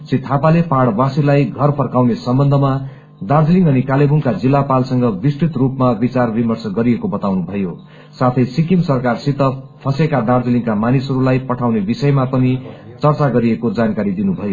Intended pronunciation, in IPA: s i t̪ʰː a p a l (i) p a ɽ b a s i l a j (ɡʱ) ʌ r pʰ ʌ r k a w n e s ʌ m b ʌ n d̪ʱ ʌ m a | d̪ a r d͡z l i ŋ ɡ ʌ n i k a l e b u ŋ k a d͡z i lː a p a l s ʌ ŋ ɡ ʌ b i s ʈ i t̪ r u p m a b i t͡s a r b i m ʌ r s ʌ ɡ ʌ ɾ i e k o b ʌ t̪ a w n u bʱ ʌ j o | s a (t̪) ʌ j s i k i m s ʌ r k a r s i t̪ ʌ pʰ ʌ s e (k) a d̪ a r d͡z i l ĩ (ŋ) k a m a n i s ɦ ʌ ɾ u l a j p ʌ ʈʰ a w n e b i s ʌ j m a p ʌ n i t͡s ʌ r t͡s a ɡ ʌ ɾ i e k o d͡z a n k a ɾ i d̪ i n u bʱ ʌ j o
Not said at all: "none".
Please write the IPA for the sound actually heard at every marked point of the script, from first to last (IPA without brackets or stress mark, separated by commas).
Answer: e, ɡʱ, t̪ʰ, k, ŋ